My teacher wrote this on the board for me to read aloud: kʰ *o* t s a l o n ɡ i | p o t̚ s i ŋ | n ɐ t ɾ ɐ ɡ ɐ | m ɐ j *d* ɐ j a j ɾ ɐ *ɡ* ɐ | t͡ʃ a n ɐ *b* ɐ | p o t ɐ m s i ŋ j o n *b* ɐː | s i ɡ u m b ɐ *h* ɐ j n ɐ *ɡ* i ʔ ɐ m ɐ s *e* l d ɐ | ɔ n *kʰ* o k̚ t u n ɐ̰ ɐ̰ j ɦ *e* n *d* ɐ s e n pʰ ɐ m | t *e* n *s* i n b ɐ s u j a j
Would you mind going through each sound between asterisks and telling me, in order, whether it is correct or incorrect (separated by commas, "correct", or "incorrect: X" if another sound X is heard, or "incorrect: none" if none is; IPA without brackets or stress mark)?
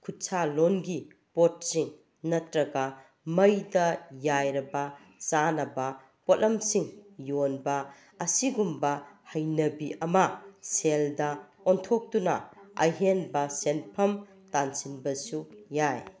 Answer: incorrect: u, correct, incorrect: b, correct, correct, correct, incorrect: b, correct, incorrect: tʰ, correct, incorrect: b, incorrect: a, correct